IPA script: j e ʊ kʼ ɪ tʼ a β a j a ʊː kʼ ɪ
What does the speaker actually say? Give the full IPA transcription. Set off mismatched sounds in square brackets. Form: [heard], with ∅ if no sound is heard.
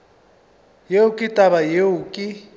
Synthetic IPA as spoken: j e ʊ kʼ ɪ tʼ a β a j [e] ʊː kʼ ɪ